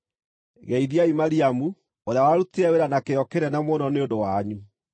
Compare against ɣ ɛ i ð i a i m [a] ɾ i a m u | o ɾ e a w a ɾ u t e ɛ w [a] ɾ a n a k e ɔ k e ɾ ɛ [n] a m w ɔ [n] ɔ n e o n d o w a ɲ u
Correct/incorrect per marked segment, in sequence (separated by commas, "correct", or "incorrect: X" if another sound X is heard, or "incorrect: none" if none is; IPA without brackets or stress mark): correct, incorrect: e, correct, correct